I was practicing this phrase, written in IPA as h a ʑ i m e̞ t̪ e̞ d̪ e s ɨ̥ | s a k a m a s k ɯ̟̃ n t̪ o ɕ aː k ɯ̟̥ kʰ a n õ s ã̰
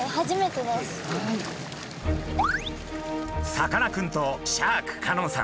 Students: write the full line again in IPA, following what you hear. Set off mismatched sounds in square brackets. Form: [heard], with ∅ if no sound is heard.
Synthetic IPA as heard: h a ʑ i m e̞ t̪ e̞ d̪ e s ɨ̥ | s a k a [n] a [∅] k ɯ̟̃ n t̪ o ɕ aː k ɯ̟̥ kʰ a n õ s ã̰

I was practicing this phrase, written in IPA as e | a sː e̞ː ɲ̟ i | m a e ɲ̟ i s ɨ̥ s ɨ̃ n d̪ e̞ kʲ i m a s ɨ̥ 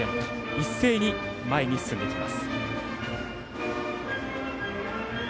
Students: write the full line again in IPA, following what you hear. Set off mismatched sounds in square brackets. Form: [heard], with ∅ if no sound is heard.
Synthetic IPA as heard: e | [i] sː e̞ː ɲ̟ i | m a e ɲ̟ i s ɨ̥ s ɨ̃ n d̪ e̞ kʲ i m a s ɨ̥

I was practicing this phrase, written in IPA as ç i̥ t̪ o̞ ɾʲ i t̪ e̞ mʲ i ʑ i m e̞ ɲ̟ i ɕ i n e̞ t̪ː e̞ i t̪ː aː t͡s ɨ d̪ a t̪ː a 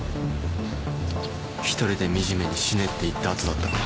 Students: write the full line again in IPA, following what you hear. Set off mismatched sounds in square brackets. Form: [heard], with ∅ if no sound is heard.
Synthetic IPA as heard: ç i̥ t̪ o̞ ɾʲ i [d̪] e̞ mʲ i ʑ i m e̞ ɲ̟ i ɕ i n e̞ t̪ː e̞ i t̪ː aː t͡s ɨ d̪ a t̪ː a

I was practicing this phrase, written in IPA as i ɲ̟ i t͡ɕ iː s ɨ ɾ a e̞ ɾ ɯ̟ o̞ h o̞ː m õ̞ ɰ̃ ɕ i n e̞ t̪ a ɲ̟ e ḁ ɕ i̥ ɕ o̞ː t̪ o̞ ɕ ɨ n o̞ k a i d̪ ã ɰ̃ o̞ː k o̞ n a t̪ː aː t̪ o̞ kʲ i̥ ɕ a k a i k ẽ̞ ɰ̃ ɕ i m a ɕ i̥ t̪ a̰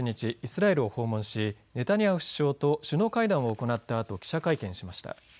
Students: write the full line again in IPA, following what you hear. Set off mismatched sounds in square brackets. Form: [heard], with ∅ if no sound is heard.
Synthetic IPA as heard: i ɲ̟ i t͡ɕ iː s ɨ ɾ a e̞ ɾ ɯ̟ o̞ h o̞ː m õ̞ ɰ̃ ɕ i n e̞ t̪ a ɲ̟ [i] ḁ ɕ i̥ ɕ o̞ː t̪ o̞ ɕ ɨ n o̞ k a i d̪ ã ɰ̃ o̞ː k o̞ n a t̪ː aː t̪ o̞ kʲ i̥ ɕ a k a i k ẽ̞ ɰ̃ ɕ i m a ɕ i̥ t̪ a̰

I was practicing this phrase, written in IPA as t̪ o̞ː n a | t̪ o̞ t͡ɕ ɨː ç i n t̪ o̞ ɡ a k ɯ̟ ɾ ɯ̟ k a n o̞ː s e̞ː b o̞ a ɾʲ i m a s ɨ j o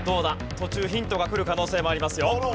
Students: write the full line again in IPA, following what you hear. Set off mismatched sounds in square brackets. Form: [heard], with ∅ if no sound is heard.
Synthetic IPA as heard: [d̪] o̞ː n a | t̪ o̞ t͡ɕ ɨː ç [ĩ] n t̪ o̞ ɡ a k ɯ̟ ɾ ɯ̟ k a n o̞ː s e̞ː [m] o̞ a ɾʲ i m a s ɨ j o

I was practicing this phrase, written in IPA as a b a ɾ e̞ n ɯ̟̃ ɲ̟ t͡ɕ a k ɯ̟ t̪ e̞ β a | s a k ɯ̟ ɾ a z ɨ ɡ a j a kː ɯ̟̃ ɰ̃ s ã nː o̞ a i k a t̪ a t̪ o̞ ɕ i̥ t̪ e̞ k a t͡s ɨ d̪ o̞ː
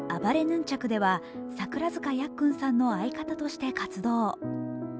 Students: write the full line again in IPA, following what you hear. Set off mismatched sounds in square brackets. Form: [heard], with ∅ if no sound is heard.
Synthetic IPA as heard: a b a ɾ e̞ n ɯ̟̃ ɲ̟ t͡ɕ a k ɯ̟ [d̪] e̞ β a | s a k ɯ̟ ɾ a z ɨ [k] a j a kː ɯ̟̃ ɰ̃ s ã nː o̞ a i k a t̪ a t̪ o̞ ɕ i̥ t̪ e̞ k a t͡s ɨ d̪ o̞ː

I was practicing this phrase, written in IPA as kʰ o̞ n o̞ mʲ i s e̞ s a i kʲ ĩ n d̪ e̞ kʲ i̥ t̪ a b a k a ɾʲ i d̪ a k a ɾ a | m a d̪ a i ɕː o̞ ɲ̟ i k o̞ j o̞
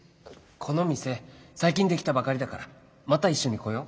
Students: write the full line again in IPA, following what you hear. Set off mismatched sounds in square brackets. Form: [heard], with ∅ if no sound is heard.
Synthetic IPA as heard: kʰ o̞ n o̞ mʲ i s e̞ s a i kʲ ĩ n d̪ e̞ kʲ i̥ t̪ a b a k a ɾʲ i d̪ a k a ɾ a | m a [t̪] a i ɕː o̞ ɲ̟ i k o̞ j o̞

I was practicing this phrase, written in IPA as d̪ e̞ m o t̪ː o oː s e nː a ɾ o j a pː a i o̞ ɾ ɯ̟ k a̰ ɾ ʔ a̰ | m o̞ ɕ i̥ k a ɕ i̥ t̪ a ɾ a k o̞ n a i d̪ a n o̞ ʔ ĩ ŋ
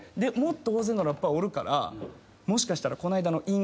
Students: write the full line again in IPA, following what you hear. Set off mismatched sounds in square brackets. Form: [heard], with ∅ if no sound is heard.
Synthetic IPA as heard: d̪ e̞ m o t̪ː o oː [z] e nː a ɾ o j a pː a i o̞ ɾ ɯ̟ k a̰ ɾ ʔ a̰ | m o̞ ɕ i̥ k a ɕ i̥ t̪ a ɾ a k o̞ n a i d̪ a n o̞ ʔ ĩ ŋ

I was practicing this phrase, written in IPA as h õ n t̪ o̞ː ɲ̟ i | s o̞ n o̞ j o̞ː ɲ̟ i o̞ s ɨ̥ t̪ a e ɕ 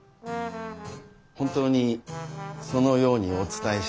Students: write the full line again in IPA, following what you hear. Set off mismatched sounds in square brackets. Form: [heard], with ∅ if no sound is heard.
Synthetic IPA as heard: h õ n t̪ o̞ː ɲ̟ i | s o̞ n o̞ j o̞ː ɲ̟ i o̞ [t͡s] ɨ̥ t̪ a e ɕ

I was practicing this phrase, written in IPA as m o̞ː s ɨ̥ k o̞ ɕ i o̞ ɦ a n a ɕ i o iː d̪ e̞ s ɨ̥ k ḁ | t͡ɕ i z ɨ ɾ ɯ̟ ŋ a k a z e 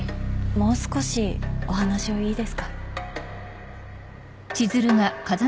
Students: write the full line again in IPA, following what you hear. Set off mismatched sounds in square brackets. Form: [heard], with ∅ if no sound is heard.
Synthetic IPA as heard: m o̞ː s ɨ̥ k o̞ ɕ i o̞ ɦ a n a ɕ i o iː d̪ e̞ s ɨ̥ k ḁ | t͡ɕ i z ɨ ɾ ɯ̟ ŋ a k a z [a]

